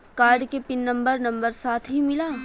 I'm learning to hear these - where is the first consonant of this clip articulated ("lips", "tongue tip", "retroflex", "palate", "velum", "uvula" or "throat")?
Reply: velum